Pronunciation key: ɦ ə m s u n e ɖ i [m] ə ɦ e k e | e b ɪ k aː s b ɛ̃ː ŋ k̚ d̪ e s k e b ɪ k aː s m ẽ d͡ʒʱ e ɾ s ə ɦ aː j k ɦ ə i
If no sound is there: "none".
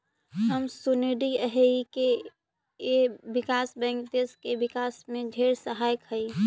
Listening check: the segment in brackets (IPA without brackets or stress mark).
none